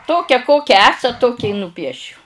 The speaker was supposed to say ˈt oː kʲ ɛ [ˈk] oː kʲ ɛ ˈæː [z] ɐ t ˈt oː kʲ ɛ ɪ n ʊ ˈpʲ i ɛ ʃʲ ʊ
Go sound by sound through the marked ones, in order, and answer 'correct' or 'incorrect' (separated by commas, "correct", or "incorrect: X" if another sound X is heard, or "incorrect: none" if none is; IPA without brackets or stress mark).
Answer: correct, incorrect: s